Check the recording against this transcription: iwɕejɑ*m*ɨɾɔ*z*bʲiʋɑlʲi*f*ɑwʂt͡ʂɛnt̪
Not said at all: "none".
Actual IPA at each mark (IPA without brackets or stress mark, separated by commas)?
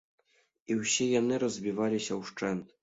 n, z, ɕ